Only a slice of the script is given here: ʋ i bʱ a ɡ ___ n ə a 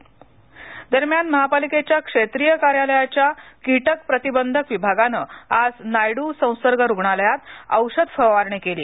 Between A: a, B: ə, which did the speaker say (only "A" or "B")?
A